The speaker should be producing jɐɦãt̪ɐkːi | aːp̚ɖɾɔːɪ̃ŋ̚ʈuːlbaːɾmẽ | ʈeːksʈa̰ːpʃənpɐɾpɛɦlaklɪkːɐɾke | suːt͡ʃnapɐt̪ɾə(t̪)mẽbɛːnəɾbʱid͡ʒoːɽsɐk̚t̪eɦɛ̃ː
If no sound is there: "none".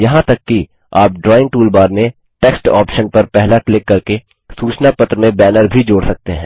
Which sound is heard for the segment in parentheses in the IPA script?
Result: none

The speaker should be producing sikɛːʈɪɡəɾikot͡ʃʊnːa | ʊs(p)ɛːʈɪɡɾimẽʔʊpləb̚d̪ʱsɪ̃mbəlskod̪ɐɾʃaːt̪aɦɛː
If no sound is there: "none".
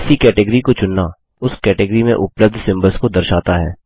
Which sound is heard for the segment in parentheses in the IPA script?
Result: k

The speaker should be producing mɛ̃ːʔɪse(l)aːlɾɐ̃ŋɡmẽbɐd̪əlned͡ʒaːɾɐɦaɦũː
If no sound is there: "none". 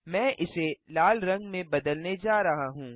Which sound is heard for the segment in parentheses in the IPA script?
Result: l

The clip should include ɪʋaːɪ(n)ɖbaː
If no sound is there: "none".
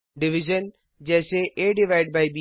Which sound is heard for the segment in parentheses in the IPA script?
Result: none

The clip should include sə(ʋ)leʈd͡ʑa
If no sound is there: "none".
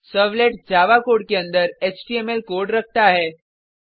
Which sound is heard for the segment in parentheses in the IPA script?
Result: ʋ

